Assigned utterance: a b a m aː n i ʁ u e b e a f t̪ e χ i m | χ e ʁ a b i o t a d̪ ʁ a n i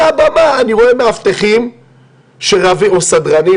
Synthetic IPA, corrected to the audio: a b a m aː n i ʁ o e m e a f t̪ e χ i m | ʃ e ʁ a v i o s a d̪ ʁ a n i